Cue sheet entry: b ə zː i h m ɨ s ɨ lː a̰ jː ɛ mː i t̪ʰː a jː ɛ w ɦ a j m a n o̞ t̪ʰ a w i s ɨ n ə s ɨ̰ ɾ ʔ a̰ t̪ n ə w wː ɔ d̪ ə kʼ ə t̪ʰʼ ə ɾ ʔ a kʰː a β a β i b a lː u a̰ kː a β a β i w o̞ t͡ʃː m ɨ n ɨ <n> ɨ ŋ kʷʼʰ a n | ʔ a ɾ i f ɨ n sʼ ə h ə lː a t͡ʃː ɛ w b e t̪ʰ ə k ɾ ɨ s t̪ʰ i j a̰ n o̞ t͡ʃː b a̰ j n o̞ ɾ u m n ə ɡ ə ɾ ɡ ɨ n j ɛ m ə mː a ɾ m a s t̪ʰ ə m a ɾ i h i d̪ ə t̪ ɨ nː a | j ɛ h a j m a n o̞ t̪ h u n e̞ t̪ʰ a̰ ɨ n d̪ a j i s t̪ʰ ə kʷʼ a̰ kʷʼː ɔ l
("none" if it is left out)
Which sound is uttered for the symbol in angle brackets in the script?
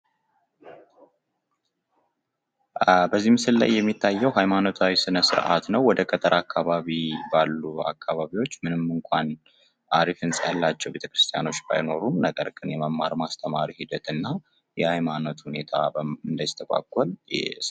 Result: m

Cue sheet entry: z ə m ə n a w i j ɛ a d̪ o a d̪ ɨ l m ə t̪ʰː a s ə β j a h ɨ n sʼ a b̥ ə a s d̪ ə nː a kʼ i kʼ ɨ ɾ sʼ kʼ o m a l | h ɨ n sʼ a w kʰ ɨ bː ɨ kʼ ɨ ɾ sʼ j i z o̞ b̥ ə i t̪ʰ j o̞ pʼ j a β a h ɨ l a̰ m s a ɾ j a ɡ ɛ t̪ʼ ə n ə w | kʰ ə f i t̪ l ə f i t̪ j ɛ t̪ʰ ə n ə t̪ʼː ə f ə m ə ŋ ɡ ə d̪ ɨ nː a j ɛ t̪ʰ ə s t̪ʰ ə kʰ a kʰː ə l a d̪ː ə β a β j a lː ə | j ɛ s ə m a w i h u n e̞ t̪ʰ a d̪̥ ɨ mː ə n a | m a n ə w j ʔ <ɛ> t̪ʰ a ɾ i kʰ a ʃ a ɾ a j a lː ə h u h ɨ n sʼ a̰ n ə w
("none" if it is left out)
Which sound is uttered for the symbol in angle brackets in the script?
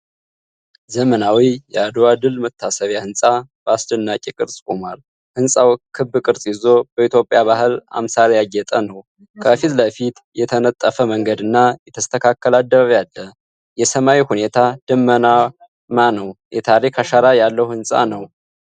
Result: ɛ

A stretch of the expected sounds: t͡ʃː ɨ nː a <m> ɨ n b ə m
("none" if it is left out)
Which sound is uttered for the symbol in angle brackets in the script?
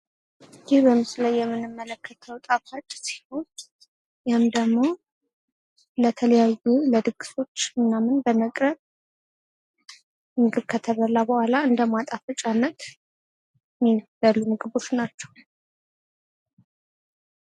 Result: m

